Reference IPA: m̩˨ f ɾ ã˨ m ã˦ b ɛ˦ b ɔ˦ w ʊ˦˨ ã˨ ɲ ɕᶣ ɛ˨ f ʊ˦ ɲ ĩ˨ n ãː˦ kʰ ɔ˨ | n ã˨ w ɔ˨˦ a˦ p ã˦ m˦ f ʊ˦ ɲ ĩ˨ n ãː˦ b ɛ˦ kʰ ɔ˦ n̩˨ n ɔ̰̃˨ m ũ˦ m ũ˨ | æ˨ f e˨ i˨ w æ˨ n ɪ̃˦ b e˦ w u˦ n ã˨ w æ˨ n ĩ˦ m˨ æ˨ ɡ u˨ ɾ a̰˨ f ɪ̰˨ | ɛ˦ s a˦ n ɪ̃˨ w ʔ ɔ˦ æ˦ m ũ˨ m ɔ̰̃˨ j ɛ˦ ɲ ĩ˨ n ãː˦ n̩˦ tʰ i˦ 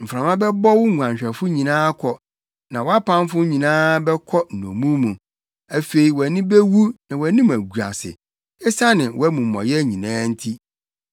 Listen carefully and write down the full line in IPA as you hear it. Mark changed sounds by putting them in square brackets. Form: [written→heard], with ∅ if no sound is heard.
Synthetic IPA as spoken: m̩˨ f ɾ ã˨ m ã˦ b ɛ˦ b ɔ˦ w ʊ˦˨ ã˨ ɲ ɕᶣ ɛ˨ f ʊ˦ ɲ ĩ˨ n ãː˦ kʰ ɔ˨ | n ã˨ w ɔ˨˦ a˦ p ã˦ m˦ f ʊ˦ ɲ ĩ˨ n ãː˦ b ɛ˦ kʰ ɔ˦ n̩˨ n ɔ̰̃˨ m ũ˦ m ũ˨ | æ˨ f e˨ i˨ w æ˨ n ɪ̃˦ b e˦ w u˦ n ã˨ w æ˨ n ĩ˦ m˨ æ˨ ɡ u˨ ɾ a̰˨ [f→s] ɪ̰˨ | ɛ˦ s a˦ n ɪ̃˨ w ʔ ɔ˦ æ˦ m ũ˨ m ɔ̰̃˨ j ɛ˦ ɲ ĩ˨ n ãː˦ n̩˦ tʰ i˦

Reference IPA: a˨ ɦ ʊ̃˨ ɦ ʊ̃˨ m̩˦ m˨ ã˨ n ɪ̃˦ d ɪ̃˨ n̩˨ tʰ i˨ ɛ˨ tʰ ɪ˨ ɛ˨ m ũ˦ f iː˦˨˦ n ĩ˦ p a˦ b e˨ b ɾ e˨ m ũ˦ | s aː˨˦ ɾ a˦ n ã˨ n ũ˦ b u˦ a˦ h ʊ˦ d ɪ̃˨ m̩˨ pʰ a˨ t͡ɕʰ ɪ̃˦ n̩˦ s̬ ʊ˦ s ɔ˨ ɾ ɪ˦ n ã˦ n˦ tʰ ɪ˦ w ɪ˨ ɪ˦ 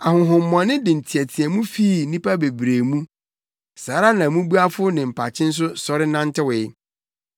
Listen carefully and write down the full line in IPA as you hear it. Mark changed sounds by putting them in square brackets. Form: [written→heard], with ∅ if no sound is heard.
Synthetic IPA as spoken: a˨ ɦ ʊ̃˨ ɦ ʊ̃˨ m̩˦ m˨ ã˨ n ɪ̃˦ d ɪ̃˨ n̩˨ tʰ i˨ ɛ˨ tʰ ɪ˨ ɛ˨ m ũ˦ f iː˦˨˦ n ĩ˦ p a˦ b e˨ b ɾ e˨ m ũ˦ | s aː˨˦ ɾ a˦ n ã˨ [n→m] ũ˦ b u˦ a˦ [h→f] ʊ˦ [d→n] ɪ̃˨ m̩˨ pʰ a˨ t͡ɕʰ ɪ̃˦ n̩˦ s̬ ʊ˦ s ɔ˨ ɾ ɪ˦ n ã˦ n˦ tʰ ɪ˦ w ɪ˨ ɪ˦

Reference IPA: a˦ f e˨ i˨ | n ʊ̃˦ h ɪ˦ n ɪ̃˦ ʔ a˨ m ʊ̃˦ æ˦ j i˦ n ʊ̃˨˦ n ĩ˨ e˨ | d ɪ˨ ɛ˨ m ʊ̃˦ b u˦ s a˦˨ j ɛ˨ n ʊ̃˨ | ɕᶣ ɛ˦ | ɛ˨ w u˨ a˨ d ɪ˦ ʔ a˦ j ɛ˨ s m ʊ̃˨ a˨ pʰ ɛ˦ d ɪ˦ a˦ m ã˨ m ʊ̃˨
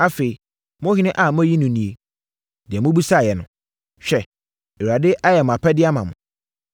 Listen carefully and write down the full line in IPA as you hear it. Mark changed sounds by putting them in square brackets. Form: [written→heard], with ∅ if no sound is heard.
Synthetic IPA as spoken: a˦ f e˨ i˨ | [n→m] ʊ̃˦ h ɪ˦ n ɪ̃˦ ʔ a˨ m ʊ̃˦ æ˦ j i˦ n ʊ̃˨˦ n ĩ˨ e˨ | d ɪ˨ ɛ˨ m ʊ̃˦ b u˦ s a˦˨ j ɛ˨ n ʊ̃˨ | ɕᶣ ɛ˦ | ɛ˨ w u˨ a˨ d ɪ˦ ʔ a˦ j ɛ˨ [s→∅] m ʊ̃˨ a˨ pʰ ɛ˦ d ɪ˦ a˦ m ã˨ m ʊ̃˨

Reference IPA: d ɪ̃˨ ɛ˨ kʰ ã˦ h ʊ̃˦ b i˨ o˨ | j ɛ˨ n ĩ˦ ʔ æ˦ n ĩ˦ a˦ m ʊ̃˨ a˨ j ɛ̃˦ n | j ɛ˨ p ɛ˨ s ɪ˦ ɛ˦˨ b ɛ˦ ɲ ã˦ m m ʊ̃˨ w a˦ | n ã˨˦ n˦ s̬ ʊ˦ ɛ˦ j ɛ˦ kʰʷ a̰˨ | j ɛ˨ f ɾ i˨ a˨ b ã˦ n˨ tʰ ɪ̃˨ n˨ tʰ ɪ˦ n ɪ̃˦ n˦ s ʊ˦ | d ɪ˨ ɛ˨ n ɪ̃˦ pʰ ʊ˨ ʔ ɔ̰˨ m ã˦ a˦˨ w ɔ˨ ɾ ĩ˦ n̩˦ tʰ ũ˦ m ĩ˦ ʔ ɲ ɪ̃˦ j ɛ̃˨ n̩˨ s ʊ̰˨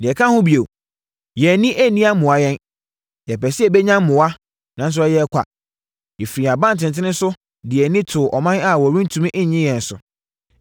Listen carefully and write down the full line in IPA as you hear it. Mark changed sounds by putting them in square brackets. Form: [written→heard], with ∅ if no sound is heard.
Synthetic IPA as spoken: d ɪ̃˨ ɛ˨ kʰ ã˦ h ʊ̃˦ b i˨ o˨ | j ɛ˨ n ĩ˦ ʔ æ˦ n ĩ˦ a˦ m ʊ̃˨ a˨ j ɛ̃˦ n | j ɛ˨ p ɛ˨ s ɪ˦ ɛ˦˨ b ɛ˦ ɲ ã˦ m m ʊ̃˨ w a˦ | n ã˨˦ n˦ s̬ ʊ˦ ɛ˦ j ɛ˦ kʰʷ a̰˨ | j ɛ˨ f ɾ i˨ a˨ b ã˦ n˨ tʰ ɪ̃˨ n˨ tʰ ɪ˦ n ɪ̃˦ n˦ s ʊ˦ | d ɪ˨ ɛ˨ n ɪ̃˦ [pʰ→tʰ] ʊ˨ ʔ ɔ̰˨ m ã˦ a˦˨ w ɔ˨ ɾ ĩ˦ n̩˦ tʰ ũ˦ m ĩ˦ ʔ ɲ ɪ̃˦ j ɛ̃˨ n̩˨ s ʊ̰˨

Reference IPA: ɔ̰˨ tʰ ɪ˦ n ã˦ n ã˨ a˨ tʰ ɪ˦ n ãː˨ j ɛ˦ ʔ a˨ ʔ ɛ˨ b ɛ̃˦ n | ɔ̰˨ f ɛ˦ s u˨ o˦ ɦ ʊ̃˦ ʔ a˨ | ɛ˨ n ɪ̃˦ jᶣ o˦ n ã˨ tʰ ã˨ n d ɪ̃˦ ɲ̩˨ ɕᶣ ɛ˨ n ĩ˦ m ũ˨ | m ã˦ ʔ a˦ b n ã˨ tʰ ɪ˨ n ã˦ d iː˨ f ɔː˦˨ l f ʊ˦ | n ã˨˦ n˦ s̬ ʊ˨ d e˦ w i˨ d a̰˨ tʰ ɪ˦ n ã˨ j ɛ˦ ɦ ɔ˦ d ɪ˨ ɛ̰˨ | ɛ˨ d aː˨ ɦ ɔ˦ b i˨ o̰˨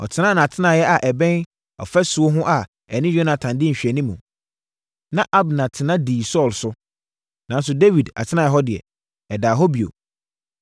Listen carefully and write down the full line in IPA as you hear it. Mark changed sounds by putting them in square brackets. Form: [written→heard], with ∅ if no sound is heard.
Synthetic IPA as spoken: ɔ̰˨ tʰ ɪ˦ n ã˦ n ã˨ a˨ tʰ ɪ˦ n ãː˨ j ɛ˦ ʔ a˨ ʔ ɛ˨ b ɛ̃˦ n | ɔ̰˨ f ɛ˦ s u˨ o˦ ɦ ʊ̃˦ ʔ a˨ | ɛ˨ n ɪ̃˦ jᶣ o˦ n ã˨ tʰ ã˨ n d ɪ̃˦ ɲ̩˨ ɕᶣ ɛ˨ n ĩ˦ m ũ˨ | [m→n] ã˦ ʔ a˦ b n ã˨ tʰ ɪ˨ n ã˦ d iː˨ [f→s] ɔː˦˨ l [f→s] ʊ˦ | n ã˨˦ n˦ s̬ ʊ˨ d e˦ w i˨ d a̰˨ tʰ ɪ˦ n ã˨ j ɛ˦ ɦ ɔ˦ d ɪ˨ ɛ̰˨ | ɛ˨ d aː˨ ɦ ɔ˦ b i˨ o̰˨

